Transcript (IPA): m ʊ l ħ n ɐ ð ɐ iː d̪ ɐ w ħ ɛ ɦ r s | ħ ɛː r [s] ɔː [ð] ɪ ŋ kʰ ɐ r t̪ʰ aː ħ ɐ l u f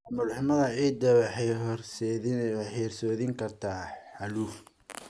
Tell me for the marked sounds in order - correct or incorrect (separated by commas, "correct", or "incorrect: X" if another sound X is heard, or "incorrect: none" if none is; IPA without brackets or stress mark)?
correct, correct